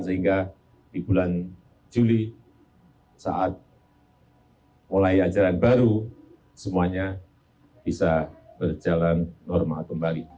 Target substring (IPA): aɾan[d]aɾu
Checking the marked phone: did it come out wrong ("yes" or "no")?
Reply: yes